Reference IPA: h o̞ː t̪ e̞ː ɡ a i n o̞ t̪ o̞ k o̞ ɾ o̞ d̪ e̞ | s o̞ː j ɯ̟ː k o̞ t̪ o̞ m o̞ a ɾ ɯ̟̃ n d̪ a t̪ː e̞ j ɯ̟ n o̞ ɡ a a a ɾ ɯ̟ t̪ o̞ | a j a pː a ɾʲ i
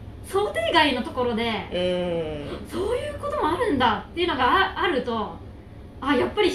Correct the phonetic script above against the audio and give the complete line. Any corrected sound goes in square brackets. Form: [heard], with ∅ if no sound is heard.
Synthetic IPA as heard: [s] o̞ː t̪ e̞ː ɡ a i n o̞ t̪ o̞ k o̞ ɾ o̞ d̪ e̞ | s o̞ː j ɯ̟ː k o̞ t̪ o̞ m o̞ a ɾ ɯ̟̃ n d̪ a t̪ː e̞ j ɯ̟ n o̞ ɡ a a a ɾ ɯ̟ t̪ o̞ | a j a pː a ɾʲ i